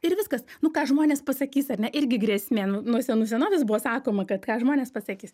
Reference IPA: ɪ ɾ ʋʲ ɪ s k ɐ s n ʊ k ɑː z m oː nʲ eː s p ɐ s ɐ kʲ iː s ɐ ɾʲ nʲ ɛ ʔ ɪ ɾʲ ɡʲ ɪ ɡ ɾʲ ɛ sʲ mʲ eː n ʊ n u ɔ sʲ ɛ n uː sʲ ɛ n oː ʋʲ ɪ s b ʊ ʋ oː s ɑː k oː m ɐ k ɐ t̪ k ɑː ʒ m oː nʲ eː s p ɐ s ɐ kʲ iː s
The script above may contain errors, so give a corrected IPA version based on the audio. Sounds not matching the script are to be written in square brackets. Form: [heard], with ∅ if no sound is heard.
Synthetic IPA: ɪ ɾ ʋʲ ɪ s k ɐ s n ʊ k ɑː [ʒ] m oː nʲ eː s p ɐ s ɐ kʲ iː s ɐ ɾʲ nʲ ɛ ʔ ɪ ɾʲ ɡʲ ɪ ɡ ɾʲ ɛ sʲ mʲ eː n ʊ n u ɔ sʲ ɛ n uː sʲ ɛ n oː ʋʲ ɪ s b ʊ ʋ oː s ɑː k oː m ɐ k ɐ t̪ k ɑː ʒ m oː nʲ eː s p ɐ s ɐ kʲ iː s